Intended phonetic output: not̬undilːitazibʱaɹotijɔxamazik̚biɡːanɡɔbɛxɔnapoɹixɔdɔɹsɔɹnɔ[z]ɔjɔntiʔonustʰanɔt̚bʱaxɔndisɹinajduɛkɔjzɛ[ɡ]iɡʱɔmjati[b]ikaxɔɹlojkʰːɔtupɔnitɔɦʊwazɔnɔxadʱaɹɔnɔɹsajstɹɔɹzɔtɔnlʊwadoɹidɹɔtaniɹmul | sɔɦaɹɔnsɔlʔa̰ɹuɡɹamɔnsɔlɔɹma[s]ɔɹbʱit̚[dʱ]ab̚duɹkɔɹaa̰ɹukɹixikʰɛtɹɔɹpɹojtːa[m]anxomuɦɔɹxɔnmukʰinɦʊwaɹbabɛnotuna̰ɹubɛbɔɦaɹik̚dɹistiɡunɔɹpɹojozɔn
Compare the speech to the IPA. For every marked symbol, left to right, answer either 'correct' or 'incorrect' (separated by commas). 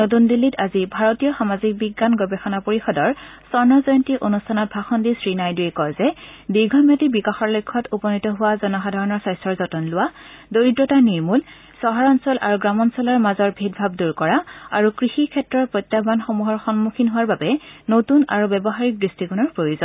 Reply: correct, incorrect, correct, incorrect, incorrect, incorrect